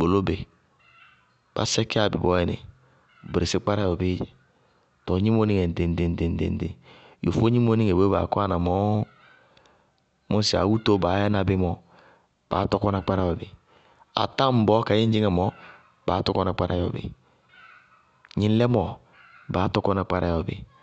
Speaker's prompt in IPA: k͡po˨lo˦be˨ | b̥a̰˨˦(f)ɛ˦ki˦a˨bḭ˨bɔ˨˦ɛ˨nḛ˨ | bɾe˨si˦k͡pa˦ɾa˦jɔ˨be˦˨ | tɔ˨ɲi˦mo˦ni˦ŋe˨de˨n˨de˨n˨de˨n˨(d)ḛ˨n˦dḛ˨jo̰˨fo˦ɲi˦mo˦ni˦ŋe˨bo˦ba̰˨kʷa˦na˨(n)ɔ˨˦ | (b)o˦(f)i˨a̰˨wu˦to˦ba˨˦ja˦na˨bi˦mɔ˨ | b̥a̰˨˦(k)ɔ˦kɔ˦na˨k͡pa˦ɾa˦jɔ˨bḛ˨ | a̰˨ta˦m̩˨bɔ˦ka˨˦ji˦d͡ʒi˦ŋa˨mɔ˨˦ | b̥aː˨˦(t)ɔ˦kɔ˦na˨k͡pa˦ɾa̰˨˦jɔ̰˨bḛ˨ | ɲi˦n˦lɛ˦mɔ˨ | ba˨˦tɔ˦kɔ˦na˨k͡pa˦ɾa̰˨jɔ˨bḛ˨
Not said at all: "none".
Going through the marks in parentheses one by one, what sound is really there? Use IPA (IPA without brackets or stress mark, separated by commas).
s, d, m, m, s, t, t